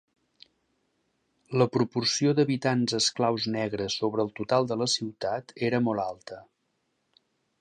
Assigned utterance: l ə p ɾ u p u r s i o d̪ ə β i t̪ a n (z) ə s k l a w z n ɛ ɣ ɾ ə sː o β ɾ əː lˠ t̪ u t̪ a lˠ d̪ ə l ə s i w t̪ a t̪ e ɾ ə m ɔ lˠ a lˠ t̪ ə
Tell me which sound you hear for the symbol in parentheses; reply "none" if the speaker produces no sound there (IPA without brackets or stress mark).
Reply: z